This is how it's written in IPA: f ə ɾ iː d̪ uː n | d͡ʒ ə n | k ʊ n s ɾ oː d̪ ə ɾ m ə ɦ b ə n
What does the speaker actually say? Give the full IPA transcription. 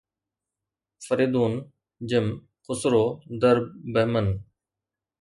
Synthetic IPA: f ə ɾ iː d̪ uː n | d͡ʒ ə m | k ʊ s ɾ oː d̪ ə ɾ b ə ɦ m ə n